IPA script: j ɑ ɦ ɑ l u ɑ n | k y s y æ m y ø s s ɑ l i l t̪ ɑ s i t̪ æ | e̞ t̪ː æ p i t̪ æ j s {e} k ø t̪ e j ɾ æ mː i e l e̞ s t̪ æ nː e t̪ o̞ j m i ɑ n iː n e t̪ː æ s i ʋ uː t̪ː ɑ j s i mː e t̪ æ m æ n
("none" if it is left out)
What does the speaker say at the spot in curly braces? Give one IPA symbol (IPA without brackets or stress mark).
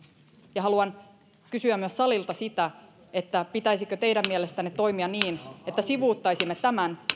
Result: i